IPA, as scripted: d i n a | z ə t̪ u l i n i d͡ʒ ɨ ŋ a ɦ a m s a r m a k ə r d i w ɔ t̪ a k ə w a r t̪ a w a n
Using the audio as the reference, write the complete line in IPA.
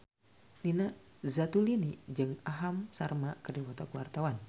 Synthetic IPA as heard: n i n a | z a t̪ u l i n i d͡ʒ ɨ ŋ a ɦ a m s a r m a k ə r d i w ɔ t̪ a k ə w a r t̪ a w a n